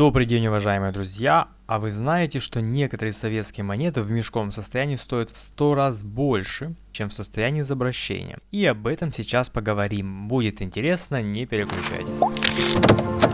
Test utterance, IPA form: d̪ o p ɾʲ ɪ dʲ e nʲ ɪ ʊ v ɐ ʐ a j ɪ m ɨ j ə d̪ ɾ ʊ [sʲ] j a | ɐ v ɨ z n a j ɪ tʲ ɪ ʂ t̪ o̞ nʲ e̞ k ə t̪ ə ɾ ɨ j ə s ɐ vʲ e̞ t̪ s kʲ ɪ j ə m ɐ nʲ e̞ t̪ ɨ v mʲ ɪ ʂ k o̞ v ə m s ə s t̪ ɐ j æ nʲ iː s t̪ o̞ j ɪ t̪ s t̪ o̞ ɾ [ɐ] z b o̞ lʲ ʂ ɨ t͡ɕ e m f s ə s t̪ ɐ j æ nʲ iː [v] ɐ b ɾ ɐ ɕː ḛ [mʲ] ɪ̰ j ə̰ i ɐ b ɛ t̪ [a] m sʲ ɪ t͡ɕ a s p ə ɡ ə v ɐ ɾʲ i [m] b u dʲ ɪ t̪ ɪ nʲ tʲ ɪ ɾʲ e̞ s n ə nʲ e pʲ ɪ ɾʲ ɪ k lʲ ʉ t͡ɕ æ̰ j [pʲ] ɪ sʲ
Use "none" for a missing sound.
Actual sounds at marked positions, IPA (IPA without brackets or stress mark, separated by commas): zʲ, a, z, nʲ, ə, m, tʲ